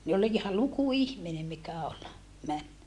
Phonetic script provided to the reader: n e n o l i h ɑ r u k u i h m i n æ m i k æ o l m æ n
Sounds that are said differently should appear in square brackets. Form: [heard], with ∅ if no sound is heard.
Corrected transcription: n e [∅] o l i h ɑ [l] u k u i h m i n [e] m i k æ o l m æ n